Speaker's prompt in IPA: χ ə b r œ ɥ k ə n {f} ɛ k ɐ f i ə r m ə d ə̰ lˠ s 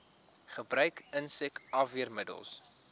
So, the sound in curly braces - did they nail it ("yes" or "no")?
no